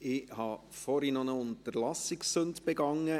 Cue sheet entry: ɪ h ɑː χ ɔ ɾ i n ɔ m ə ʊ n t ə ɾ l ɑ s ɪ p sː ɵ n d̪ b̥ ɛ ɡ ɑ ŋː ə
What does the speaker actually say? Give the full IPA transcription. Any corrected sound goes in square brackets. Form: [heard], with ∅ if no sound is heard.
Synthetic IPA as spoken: ɪ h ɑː [f] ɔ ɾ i n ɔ [n] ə ʊ n t ə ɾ l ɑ s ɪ [k] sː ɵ n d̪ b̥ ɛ ɡ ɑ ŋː ə